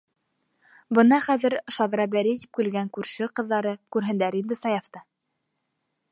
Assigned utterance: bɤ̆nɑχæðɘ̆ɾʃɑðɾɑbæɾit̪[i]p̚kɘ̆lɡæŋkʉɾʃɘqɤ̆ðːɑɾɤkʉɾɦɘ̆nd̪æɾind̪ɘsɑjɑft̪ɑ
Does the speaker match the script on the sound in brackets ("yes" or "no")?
yes